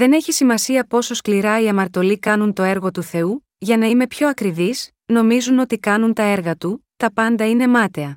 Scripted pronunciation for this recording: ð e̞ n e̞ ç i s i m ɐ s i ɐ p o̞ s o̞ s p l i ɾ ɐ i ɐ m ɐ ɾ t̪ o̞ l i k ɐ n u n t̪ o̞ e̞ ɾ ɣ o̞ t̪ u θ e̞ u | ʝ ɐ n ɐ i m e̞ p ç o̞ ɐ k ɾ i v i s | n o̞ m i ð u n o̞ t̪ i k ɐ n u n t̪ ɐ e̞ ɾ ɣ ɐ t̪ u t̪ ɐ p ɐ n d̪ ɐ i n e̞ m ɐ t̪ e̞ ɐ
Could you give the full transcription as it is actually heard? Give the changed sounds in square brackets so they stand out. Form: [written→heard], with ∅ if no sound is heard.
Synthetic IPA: ð e̞ n e̞ ç i s i m ɐ s i ɐ p o̞ s o̞ s [p→k] l i ɾ ɐ i ɐ m ɐ ɾ t̪ o̞ l i k ɐ n u n t̪ o̞ e̞ ɾ ɣ o̞ t̪ u θ e̞ u | ʝ ɐ n ɐ i m e̞ p ç o̞ ɐ k ɾ i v i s | n o̞ m i [ð→z] u n o̞ t̪ i k ɐ n u n t̪ ɐ e̞ ɾ ɣ ɐ t̪ u t̪ ɐ p ɐ n d̪ ɐ i n e̞ m ɐ t̪ e̞ ɐ